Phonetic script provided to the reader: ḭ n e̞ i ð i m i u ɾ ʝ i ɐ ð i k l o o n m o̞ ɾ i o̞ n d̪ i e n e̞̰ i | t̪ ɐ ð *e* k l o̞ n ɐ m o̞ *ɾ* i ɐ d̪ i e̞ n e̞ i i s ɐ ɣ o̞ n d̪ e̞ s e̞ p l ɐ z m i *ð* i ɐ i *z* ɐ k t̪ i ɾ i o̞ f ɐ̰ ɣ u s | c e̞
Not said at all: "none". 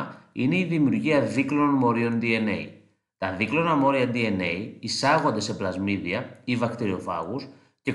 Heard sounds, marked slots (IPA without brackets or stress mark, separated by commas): i, ɾ, ð, v